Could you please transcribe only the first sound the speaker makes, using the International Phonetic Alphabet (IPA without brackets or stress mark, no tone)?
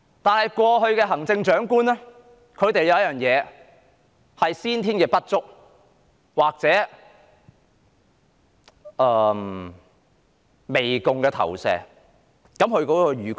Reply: t̪